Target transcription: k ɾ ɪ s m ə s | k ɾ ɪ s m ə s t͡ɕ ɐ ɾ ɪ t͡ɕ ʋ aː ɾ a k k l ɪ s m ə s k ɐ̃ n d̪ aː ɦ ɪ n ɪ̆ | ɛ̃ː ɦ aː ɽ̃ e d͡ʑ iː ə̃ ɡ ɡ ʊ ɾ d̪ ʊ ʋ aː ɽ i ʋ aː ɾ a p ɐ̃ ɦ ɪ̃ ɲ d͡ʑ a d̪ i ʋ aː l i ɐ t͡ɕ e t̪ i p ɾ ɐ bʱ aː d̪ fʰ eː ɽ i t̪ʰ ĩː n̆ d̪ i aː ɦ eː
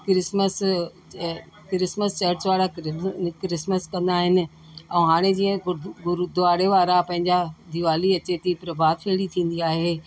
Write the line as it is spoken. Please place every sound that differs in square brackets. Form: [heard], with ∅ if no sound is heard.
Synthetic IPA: k ɾ ɪ s m ə s | k ɾ ɪ s m ə s t͡ɕ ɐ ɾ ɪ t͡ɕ ʋ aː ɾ a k k [ɾ] ɪ s m ə s k ɐ̃ n d̪ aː ɦ ɪ n ɪ̆ | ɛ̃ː ɦ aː ɽ̃ e d͡ʑ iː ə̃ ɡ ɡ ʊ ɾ d̪ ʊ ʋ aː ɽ [e] ʋ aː ɾ a p ɐ̃ ɦ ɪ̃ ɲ d͡ʑ a d̪ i ʋ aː l i ɐ t͡ɕ e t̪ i p ɾ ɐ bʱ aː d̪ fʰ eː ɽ i t̪ʰ ĩː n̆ d̪ i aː ɦ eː